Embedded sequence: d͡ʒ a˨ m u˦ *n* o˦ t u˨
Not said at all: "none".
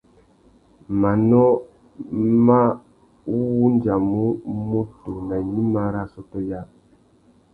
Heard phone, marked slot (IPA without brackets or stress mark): m